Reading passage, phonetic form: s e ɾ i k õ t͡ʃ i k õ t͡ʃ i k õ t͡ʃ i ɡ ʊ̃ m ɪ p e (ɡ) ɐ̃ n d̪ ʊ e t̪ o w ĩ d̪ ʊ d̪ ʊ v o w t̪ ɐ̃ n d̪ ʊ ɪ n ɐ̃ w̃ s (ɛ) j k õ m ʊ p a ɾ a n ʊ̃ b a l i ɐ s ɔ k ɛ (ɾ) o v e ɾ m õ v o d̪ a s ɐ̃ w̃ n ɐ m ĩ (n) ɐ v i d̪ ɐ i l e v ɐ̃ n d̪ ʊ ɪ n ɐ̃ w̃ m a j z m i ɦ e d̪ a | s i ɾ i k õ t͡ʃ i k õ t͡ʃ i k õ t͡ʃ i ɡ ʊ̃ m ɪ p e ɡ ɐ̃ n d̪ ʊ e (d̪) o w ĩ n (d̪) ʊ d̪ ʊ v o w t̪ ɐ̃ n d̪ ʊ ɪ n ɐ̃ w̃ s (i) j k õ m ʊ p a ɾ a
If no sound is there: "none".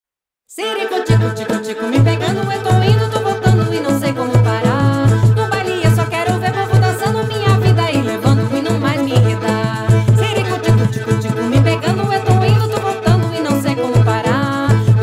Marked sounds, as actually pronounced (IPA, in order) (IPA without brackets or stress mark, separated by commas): ɡ, e, ɾ, ɲ, t̪, d̪, e